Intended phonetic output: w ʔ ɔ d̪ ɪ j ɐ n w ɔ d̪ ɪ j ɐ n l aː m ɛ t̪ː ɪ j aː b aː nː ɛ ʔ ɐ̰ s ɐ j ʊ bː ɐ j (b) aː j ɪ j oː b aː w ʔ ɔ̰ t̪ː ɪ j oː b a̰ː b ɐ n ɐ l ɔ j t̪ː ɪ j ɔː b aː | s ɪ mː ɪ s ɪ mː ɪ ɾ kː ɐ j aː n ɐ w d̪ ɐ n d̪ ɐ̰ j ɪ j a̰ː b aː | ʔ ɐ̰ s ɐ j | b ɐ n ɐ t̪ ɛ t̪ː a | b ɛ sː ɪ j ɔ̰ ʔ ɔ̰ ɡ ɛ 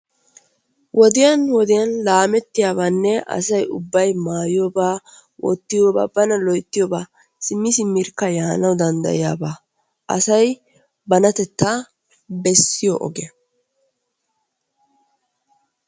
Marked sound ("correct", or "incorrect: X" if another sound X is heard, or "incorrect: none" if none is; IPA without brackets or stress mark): incorrect: m